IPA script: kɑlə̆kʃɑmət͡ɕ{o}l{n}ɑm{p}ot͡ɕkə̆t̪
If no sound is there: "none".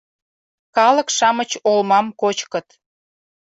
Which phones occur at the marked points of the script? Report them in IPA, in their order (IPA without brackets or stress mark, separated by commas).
o, m, k